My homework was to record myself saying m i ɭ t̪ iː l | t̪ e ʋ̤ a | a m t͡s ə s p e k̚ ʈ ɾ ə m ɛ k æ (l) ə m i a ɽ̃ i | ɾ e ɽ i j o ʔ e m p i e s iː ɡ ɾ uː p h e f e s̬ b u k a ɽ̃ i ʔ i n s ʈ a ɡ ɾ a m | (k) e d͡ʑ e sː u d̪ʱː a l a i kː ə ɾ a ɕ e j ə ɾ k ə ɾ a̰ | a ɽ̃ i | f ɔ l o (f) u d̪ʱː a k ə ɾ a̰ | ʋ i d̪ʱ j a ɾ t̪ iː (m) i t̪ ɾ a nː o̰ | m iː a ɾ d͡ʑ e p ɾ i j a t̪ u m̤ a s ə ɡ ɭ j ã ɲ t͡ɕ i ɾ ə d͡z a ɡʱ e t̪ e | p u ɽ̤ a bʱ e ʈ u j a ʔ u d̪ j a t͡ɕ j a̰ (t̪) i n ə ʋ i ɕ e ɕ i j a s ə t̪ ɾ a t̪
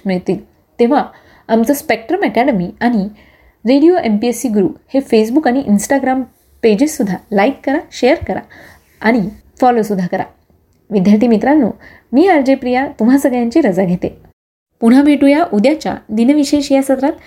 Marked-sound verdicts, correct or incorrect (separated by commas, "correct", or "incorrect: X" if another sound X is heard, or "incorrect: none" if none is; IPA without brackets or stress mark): incorrect: ɽ, incorrect: p, incorrect: s, correct, incorrect: d̪